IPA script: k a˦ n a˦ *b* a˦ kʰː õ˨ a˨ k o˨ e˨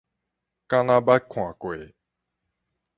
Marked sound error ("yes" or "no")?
no